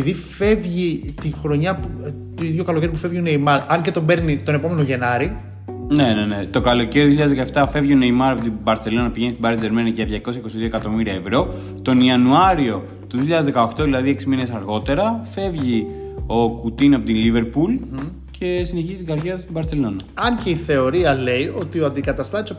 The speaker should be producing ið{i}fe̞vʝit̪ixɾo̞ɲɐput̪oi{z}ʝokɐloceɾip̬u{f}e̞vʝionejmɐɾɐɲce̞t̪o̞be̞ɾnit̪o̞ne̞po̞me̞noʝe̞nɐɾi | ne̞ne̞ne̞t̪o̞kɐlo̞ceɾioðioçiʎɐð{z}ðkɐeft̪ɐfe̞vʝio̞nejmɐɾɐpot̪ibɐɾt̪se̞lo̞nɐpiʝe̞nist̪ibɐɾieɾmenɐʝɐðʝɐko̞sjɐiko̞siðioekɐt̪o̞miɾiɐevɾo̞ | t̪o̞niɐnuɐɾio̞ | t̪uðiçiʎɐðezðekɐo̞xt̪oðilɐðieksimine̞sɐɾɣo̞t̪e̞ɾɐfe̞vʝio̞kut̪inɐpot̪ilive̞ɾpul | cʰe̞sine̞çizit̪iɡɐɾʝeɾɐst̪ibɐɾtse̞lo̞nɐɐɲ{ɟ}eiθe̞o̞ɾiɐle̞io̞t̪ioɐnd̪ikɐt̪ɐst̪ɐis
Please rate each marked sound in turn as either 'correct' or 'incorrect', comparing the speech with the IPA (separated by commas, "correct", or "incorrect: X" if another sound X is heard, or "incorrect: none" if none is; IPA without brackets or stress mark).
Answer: correct, incorrect: ð, correct, correct, incorrect: c